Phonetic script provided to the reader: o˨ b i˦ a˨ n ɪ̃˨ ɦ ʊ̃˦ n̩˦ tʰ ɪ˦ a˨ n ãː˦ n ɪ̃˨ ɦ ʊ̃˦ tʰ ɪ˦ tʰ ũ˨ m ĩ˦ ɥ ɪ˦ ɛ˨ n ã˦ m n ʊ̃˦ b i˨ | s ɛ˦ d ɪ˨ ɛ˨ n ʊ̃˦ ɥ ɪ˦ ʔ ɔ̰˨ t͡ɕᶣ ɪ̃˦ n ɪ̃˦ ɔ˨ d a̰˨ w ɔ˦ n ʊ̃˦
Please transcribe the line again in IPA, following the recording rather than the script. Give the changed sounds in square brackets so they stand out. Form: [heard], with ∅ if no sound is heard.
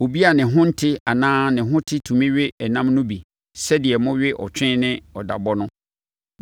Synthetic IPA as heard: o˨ b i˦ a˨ n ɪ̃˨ ɦ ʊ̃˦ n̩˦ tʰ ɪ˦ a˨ n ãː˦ n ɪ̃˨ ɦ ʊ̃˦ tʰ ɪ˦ tʰ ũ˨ m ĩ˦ ɥ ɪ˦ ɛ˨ n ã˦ m n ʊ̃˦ b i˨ | s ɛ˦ d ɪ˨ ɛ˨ [m] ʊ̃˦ ɥ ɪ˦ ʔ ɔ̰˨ t͡ɕᶣ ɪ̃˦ n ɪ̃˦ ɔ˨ d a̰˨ [b] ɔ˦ n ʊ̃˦

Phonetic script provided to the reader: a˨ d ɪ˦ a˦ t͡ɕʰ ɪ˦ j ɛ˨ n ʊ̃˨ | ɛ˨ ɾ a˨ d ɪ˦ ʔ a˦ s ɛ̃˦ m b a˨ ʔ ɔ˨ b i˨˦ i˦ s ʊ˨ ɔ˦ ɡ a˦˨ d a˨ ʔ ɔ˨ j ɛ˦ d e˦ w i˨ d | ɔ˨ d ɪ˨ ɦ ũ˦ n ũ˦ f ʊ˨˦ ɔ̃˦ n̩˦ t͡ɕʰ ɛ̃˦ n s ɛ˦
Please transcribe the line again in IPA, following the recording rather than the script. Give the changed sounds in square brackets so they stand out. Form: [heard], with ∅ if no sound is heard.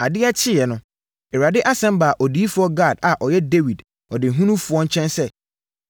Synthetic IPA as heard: a˨ d ɪ˦ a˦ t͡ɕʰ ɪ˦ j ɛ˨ n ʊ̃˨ | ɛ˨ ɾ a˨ d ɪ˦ ʔ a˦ s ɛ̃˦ m b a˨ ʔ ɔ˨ [d] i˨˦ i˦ [f] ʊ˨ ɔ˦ ɡ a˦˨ d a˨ ʔ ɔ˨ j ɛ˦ d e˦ w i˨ d | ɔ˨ d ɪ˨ ɦ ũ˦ n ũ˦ f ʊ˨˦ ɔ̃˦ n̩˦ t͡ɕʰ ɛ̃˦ n s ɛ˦

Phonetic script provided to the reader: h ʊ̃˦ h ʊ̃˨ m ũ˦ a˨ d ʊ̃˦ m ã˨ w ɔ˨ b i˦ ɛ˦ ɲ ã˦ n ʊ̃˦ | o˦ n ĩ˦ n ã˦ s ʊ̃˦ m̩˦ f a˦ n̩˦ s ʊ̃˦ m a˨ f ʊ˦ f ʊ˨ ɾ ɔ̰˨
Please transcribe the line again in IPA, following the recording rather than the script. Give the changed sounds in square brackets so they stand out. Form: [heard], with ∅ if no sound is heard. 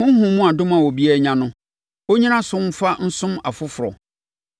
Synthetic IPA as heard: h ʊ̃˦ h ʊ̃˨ m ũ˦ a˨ d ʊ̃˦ m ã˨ w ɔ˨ b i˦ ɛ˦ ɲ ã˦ n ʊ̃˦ | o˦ [ɲ] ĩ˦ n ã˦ s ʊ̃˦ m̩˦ f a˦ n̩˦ s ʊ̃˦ m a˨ f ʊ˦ f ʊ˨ ɾ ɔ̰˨

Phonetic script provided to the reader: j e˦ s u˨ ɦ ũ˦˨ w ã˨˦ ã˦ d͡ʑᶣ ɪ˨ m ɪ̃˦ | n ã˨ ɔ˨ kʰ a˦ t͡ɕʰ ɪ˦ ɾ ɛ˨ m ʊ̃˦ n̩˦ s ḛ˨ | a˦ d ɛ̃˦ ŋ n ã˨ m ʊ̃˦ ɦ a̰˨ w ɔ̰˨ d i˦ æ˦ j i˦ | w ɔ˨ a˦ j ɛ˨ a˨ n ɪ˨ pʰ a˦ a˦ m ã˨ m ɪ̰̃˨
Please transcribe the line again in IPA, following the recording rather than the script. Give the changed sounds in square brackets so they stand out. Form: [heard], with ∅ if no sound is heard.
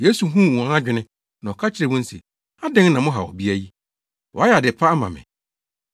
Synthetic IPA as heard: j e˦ s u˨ ɦ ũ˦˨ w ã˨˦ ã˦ d͡ʑᶣ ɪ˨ [n] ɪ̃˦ | n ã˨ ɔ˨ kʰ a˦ t͡ɕʰ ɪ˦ ɾ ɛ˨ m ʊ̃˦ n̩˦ s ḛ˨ | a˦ d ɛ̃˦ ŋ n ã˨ m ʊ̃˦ ɦ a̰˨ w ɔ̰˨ [b] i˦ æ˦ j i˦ | w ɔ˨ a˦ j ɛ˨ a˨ [d] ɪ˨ pʰ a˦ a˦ m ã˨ m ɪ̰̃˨

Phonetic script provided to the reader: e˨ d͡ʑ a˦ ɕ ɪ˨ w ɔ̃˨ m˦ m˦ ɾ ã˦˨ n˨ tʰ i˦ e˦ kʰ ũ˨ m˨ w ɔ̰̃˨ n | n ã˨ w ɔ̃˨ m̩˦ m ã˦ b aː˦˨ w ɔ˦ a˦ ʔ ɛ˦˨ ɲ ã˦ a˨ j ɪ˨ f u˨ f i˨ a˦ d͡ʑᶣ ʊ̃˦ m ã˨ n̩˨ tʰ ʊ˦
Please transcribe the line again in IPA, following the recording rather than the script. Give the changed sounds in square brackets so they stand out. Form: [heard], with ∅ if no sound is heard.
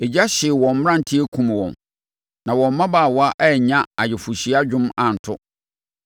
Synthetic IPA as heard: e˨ d͡ʑ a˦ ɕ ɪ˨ w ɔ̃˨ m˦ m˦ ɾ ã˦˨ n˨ tʰ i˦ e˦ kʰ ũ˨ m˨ w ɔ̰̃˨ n | n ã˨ w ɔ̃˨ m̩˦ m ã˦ b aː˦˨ w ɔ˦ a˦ ʔ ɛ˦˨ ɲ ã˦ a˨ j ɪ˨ f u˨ [ɕ] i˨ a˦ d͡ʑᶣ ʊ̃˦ m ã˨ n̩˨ tʰ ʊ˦

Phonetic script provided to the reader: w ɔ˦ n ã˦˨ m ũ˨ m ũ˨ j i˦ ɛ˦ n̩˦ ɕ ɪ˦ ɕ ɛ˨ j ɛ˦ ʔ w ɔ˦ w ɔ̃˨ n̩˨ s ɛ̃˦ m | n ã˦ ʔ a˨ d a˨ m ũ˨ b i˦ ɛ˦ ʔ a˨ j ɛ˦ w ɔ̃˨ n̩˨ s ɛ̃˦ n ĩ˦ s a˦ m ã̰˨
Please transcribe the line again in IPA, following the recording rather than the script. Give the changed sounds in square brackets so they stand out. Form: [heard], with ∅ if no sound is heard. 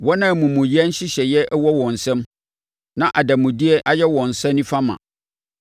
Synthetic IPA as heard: w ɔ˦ n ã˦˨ m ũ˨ m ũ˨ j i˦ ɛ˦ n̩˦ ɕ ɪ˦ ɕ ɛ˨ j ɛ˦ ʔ w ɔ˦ w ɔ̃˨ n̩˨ s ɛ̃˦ m | n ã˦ ʔ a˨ d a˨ m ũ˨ [d] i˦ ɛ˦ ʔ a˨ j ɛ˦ w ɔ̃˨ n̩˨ s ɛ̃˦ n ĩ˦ [f] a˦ m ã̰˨

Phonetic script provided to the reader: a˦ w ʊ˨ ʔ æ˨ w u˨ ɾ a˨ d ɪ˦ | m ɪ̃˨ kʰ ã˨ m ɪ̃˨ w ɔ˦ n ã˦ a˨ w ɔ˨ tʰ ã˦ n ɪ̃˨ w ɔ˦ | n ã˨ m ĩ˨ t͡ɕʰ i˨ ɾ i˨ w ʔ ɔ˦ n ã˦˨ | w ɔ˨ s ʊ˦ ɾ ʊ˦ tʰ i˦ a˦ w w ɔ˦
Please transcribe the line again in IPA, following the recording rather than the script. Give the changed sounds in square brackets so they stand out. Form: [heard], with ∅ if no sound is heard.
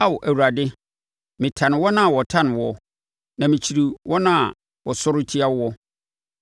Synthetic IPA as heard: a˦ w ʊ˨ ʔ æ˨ w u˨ ɾ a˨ d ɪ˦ | m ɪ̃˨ [tʰ] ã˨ [n] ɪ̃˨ w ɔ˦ n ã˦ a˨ w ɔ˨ tʰ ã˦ n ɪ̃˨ w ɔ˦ | n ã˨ m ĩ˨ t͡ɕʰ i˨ ɾ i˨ w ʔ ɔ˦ n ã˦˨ | w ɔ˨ s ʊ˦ ɾ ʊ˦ tʰ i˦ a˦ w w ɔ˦

